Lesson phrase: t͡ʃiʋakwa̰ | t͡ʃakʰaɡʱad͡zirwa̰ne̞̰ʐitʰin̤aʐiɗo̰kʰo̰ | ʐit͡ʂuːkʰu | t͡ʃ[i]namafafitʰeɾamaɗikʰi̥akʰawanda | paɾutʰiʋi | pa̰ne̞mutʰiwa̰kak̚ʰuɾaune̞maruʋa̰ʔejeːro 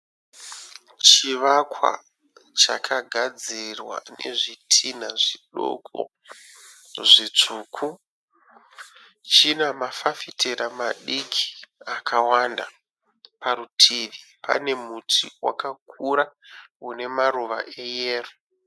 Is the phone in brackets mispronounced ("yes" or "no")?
no